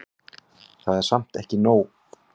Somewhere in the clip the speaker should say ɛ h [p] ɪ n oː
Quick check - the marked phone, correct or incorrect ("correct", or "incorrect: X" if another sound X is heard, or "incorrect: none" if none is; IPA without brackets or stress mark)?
incorrect: c